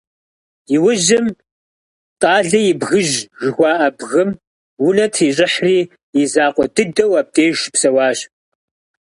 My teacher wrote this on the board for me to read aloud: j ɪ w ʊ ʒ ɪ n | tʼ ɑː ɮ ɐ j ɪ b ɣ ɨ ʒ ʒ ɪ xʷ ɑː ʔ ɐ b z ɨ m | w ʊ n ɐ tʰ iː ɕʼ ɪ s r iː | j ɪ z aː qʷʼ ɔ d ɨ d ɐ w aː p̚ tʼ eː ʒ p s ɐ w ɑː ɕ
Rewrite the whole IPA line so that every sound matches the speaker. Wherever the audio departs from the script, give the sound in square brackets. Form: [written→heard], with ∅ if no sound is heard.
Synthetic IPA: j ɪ w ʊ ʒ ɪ [n→m] | tʼ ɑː ɮ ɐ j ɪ b ɣ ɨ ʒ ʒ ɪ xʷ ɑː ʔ ɐ b [z→ɣ] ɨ m | w ʊ n ɐ tʰ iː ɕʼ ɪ [s→ħ] r iː | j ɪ z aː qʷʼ ɔ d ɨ d ɐ w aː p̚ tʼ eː ʒ p s ɐ w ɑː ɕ

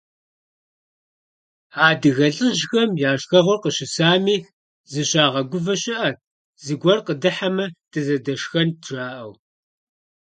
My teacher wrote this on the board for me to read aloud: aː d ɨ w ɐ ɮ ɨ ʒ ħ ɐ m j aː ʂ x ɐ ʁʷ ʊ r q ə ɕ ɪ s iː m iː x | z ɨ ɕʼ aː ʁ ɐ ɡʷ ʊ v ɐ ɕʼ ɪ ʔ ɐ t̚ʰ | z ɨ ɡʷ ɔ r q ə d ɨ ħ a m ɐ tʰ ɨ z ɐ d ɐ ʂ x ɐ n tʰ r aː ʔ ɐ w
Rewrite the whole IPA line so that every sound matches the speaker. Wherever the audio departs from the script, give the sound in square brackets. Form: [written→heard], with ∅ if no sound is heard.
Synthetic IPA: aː d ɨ [w→ɣ] ɐ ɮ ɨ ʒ [ħ→x] ɐ m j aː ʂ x ɐ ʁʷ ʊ r q ə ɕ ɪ s [iː→aː] m iː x | z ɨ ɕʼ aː ʁ ɐ ɡʷ ʊ v ɐ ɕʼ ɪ ʔ ɐ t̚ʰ | z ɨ ɡʷ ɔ r q ə d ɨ ħ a m ɐ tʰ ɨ z ɐ d ɐ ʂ x ɐ n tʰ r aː ʔ ɐ w

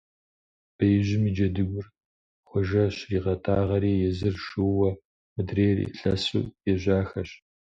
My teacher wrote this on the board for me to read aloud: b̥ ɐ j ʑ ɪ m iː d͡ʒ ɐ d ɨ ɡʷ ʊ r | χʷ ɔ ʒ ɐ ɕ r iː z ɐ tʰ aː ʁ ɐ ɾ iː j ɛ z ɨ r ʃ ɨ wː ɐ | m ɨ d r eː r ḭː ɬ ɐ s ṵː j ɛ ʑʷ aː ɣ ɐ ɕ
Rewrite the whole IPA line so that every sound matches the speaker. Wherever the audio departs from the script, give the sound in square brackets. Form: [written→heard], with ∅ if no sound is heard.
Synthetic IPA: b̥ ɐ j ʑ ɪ m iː d͡ʒ ɐ d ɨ ɡʷ ʊ r | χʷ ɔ ʒ ɐ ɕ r iː [z→ʁ] ɐ tʰ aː ʁ ɐ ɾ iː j ɛ z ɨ r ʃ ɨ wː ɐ | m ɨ d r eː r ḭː ɬ ɐ s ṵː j ɛ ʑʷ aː [ɣ→x] ɐ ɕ

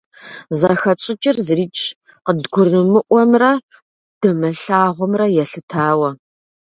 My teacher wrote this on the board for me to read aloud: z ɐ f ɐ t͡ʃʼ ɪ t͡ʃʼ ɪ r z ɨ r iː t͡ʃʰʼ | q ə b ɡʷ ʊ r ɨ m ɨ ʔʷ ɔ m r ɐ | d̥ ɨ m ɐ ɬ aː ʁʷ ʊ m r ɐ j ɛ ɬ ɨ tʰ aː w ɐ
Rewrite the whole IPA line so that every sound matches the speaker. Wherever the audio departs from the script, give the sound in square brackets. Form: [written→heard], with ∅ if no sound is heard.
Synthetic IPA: z ɐ [f→x] ɐ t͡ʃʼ ɪ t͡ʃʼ ɪ r z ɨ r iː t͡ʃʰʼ | q ə [b→d] ɡʷ ʊ r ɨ m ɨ ʔʷ ɔ m r ɐ | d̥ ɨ m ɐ ɬ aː ʁʷ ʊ m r ɐ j ɛ ɬ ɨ tʰ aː w ɐ

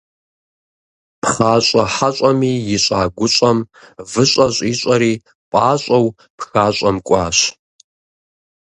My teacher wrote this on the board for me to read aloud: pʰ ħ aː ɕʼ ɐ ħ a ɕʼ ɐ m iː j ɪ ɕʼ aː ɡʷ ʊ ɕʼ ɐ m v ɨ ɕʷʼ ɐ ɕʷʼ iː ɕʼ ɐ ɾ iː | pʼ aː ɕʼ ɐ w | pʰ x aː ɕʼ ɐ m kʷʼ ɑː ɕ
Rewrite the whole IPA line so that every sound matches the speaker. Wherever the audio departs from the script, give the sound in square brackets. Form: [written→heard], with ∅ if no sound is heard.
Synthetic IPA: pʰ [ħ→χ] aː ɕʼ ɐ ħ a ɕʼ ɐ m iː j ɪ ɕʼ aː ɡʷ ʊ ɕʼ ɐ m v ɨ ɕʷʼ ɐ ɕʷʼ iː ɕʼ ɐ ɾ iː | pʼ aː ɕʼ ɐ w | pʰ x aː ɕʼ ɐ m kʷʼ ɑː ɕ

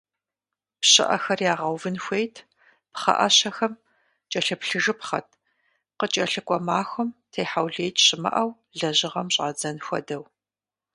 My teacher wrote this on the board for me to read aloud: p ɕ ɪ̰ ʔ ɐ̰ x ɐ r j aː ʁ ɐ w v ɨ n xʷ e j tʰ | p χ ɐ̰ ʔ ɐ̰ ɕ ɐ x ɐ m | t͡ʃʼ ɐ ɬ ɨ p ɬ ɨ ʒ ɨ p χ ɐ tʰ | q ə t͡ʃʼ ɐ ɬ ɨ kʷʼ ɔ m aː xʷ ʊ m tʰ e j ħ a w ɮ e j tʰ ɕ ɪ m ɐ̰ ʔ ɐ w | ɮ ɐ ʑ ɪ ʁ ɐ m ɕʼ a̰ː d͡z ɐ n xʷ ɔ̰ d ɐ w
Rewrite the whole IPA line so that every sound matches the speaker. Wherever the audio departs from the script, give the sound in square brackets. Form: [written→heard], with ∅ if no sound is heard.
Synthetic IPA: p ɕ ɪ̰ ʔ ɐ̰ x ɐ r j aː ʁ ɐ w v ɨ n xʷ e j tʰ | p χ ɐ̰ ʔ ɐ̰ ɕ ɐ x ɐ m | t͡ʃʼ ɐ ɬ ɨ p ɬ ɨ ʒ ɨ p χ ɐ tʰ | q ə t͡ʃʼ ɐ ɬ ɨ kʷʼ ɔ m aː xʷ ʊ m tʰ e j ħ a w ɮ e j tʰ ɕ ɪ m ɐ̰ ʔ ɐ w | ɮ ɐ ʑ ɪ ʁ ɐ m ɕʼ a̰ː d͡z ɐ n xʷ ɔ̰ d ɐ w

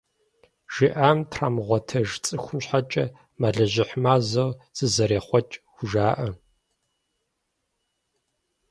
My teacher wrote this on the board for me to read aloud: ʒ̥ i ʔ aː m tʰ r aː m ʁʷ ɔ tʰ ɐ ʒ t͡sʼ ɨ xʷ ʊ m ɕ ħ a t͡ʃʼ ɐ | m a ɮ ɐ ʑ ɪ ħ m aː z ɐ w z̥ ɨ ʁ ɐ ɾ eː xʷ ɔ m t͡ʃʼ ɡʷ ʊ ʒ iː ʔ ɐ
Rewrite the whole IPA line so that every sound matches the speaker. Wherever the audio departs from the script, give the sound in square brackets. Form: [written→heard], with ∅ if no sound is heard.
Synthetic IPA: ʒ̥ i ʔ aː m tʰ r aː m ʁʷ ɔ tʰ ɐ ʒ t͡sʼ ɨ xʷ ʊ m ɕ ħ a t͡ʃʼ ɐ | m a ɮ ɐ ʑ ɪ ħ m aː z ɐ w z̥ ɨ [ʁ→z] ɐ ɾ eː [xʷ→χʷ] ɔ [m→∅] t͡ʃʼ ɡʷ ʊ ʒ [iː→aː] ʔ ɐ

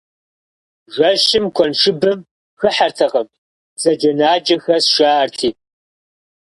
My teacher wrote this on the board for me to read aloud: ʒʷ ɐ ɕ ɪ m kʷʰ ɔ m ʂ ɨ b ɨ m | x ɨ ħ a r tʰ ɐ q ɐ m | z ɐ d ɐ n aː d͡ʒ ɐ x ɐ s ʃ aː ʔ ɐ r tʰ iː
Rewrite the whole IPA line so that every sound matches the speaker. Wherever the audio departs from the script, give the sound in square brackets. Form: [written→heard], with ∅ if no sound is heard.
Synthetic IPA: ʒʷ ɐ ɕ ɪ m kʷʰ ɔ [m→n] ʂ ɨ b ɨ m | x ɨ ħ a r tʰ ɐ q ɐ m | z ɐ [d→d͡ʒ] ɐ n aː d͡ʒ ɐ x ɐ s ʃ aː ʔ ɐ r tʰ iː

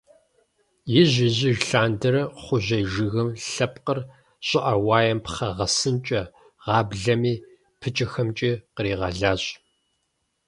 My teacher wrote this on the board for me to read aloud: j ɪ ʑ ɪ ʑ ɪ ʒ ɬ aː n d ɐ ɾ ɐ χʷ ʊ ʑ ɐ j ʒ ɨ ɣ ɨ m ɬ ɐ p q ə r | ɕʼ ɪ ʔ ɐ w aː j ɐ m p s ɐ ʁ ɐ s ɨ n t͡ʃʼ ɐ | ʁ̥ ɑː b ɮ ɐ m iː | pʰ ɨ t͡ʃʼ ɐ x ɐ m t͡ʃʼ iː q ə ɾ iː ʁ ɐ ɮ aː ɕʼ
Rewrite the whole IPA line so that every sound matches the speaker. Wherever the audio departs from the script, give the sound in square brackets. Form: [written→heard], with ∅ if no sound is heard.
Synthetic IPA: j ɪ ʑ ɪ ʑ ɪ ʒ ɬ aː n d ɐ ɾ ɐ χʷ ʊ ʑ ɐ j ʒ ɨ ɣ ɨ m ɬ ɐ p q ə r | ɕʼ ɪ ʔ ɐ w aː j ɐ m p [s→χ] ɐ ʁ ɐ s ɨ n t͡ʃʼ ɐ | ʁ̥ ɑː b ɮ ɐ m iː | pʰ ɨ t͡ʃʼ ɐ x ɐ m t͡ʃʼ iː q ə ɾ iː ʁ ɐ ɮ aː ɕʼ

